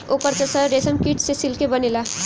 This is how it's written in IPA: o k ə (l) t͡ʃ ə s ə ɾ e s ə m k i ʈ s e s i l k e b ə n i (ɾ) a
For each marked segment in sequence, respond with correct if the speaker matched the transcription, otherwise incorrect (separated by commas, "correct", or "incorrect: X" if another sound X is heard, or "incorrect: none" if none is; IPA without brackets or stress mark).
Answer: incorrect: ɾ, incorrect: l